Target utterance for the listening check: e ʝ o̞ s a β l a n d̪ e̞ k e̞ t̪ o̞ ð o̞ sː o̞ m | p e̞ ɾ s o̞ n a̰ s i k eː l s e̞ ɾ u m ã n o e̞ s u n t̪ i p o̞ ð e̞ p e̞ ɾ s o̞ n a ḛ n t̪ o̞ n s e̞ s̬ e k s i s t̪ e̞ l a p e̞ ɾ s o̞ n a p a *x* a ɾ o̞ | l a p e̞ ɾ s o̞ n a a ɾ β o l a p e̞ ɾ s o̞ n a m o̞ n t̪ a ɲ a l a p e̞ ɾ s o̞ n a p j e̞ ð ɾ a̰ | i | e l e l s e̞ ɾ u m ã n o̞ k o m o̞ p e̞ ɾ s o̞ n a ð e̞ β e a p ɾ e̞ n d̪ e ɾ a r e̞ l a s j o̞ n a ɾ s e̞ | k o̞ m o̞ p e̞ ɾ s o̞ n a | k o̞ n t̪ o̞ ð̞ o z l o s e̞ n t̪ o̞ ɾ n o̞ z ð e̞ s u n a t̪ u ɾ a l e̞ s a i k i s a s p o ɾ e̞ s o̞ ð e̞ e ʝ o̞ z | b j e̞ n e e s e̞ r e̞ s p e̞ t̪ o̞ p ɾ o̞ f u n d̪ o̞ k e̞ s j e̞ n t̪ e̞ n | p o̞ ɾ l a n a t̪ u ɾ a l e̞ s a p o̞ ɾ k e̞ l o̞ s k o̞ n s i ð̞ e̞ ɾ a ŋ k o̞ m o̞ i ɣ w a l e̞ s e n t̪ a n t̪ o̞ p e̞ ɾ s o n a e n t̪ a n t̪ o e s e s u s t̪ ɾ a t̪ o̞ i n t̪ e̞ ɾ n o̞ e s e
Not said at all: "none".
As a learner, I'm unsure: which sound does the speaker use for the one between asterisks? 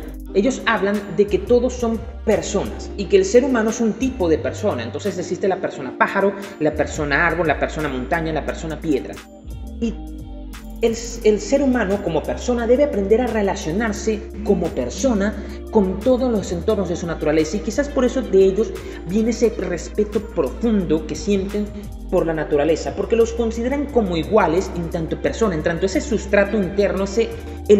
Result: x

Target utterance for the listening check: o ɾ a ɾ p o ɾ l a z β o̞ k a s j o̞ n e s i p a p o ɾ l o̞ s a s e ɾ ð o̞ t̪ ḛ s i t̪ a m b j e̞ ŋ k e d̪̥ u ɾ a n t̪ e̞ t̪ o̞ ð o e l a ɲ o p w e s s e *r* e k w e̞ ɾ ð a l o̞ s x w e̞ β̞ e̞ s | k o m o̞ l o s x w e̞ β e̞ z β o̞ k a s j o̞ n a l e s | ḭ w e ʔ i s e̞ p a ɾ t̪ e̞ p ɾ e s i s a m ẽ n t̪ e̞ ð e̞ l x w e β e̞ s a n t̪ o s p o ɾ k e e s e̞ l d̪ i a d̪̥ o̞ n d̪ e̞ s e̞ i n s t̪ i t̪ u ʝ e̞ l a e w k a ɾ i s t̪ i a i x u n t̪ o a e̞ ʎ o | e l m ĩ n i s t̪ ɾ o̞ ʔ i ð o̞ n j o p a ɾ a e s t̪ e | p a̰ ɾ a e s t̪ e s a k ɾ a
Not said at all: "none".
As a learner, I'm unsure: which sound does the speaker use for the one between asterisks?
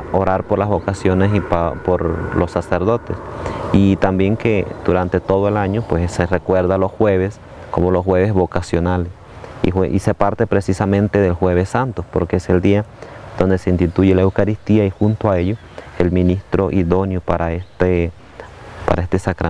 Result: r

